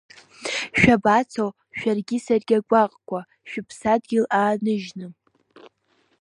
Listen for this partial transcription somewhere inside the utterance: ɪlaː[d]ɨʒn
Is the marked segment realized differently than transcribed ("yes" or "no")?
yes